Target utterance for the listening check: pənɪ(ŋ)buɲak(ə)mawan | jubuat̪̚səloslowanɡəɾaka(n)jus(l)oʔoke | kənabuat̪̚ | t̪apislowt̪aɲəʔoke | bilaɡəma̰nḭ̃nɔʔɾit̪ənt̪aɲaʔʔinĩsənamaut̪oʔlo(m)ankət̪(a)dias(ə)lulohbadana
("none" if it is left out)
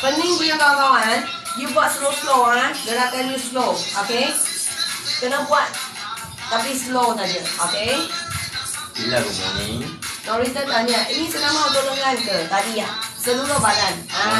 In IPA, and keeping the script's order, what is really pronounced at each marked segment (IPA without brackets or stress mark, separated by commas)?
ŋ, a, n, l, ŋ, a, ə